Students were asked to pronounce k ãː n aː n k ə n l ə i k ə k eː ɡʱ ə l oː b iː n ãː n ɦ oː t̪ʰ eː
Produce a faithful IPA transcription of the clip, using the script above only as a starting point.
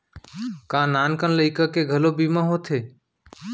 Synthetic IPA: k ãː n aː n k ə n l ə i k ə k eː ɡʱ ə l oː b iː m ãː ɦ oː t̪ʰ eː

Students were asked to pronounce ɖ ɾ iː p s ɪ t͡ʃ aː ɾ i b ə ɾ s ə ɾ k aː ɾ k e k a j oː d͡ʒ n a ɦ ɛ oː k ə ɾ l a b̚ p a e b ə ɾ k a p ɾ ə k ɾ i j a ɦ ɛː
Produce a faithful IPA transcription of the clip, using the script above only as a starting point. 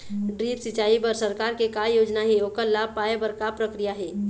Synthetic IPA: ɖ ɾ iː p s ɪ t͡ʃ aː i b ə ɾ s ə ɾ k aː ɾ k e k a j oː d͡ʒ n a ɦ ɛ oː k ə ɾ l a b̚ p a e b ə ɾ k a p ɾ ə k ɾ i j a ɦ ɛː

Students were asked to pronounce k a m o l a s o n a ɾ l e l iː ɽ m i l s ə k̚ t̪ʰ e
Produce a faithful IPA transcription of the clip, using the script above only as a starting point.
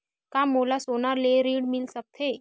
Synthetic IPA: k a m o l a s o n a ɾ l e ɾ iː ɽ m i l s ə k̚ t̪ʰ e

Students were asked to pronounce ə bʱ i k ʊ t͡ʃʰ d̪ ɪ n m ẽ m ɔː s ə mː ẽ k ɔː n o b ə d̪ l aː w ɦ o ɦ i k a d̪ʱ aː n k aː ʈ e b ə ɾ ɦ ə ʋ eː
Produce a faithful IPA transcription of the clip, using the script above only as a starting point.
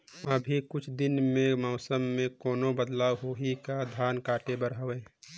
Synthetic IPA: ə bʱ i k ʊ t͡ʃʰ d̪ ɪ n m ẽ m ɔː s ə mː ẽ k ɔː n o b ə d̪ l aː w ɦ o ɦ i k a d̪ʱ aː n k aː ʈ e b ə ɾ ɦ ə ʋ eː

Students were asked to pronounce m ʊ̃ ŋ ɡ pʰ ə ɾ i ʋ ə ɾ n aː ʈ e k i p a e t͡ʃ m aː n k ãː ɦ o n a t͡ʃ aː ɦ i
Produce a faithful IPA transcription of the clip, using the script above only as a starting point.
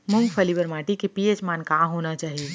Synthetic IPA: m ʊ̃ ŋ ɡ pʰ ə l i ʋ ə ɾ m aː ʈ i k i p i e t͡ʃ m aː n k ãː ɦ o n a t͡ʃ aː ɦ i

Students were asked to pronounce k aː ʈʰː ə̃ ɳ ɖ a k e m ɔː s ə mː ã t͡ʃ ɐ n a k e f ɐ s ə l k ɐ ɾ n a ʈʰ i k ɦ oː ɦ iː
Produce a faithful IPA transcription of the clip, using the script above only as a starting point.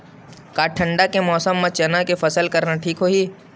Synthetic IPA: k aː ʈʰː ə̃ ɳ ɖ a k e m ɔː s ə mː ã t͡ʃ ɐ n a k e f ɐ s ə l k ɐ ɾ n a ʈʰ iː k ɦ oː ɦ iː

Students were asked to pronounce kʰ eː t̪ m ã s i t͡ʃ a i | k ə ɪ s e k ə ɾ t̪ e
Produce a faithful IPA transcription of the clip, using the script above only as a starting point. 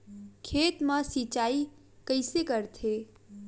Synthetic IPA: kʰ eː t̪ m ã s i t͡ʃ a i | k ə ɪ s e k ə ɾ t̪ʰ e

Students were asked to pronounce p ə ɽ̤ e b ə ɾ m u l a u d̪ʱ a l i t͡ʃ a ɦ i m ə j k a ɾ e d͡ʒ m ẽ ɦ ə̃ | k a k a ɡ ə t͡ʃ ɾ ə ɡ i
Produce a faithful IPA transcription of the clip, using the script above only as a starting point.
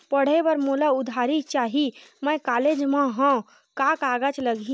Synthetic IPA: p ə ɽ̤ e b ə ɾ m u l a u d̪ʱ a ɾ i t͡ʃ a ɦ i m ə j k a l e d͡ʒ m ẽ ɦ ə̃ | k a k a ɡ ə t͡ʃ l ə ɡ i

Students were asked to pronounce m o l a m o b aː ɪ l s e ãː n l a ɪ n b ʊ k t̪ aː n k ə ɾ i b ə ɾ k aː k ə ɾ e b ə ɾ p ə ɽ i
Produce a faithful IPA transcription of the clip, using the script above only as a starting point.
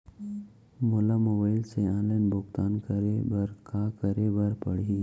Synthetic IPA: m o l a m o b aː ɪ l s e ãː n l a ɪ n b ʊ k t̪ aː n k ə ɾ e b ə ɾ k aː k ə ɾ e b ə ɾ p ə ɽ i

